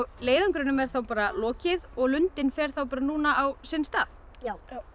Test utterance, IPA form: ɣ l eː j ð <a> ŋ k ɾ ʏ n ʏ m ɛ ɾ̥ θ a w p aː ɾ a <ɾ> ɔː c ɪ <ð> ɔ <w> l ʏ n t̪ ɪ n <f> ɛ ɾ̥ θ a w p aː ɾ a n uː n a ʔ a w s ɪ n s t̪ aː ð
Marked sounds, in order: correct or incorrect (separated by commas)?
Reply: correct, incorrect, correct, incorrect, correct